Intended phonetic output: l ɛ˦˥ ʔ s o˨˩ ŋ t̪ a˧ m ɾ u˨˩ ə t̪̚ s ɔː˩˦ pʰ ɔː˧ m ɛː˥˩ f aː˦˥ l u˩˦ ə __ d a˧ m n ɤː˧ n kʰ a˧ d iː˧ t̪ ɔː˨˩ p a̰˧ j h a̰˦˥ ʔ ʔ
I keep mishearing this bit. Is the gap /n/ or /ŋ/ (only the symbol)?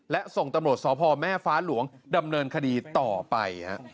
ŋ